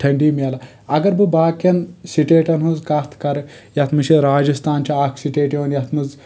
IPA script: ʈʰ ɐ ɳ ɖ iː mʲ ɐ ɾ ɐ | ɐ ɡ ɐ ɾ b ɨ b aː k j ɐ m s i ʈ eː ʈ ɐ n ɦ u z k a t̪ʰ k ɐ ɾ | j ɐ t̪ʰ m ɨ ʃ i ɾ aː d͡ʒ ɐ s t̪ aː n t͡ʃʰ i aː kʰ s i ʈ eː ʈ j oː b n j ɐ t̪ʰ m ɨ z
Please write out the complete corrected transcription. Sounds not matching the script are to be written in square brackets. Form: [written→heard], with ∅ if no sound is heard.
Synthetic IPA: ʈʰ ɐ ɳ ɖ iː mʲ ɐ [ɾ→l] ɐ | ɐ ɡ ɐ ɾ b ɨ b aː k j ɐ [m→n] s i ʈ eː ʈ ɐ n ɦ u z k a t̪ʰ k ɐ ɾ | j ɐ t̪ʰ m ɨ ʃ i ɾ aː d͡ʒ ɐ s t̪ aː n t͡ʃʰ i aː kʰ s i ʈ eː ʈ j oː [b→∅] n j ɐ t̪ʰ m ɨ z